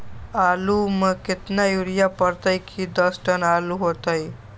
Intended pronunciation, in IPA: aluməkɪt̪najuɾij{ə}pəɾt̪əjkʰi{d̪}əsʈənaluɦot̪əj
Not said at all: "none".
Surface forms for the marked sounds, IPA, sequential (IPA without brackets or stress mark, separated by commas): a, d̪